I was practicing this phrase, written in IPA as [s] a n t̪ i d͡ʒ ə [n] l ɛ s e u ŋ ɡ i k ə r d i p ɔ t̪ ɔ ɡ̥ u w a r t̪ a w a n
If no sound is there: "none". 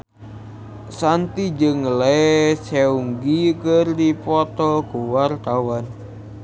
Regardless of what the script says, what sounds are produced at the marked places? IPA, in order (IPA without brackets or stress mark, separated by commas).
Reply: s, ŋ